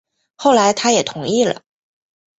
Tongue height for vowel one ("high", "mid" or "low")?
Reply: mid